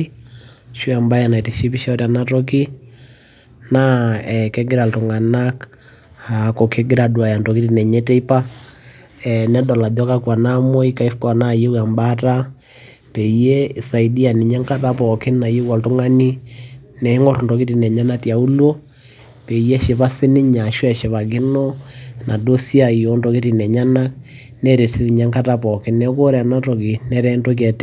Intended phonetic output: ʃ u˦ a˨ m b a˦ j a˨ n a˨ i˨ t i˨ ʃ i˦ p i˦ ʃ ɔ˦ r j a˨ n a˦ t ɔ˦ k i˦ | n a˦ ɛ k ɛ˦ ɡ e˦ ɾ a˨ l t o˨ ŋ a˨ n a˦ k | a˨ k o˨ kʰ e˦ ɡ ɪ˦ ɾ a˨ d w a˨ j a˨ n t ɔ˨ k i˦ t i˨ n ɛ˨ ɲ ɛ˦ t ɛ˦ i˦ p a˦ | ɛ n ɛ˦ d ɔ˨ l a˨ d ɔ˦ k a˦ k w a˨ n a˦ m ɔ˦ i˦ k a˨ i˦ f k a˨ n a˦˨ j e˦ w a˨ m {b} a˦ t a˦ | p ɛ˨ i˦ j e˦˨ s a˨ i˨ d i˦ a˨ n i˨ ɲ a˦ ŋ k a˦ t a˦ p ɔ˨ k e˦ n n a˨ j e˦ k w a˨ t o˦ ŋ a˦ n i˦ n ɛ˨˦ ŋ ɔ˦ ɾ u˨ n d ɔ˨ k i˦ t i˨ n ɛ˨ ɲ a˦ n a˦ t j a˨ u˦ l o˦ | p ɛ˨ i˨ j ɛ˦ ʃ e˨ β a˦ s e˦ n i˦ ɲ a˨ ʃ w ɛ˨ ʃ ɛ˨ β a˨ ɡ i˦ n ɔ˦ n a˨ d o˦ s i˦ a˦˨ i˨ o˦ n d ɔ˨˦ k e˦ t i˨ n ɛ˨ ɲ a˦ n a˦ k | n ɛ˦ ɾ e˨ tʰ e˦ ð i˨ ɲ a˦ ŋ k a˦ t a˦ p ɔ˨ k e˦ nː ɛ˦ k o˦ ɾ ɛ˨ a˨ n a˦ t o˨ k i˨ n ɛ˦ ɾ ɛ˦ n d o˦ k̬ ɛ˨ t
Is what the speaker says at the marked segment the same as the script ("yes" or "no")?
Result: yes